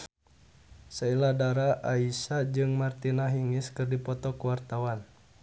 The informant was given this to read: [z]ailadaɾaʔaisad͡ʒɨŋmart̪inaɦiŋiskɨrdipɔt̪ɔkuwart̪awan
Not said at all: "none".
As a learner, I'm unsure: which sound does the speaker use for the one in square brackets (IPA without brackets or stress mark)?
s